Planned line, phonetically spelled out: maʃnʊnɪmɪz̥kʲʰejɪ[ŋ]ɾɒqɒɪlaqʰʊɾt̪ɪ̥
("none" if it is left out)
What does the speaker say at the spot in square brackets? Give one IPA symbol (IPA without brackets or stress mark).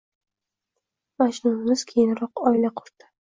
n